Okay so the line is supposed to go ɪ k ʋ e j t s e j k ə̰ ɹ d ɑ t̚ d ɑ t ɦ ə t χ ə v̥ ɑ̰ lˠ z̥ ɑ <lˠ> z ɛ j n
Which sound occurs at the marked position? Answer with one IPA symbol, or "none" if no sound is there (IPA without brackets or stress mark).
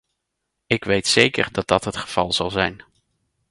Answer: lˠ